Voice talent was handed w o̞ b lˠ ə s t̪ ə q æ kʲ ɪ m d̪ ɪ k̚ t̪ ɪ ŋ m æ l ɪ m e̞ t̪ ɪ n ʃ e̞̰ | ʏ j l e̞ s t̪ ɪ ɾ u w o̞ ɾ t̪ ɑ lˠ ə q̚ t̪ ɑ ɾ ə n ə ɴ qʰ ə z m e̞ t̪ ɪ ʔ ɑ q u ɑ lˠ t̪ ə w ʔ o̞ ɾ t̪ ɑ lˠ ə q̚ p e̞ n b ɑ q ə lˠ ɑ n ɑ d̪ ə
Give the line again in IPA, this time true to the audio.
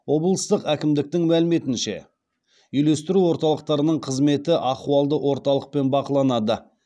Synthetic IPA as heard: w o̞ b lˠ ə s t̪ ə q æ kʲ ɪ m d̪ ɪ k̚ t̪ ɪ ŋ m æ l ɪ m e̞ t̪ ɪ n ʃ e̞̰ | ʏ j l e̞ s t̪ ɪ ɾ u w o̞ ɾ t̪ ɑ lˠ ə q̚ t̪ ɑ ɾ ə n ə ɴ qʰ ə z m e̞ t̪ ɪ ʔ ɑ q u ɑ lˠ d̪ ə w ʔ o̞ ɾ t̪ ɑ lˠ ə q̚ p e̞ n b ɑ q ə lˠ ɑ n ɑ d̪ ə